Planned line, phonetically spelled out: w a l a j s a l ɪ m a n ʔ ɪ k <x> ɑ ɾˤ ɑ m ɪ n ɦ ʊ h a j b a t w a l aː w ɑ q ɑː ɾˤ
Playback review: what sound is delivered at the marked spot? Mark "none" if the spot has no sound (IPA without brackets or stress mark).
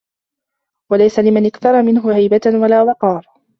θ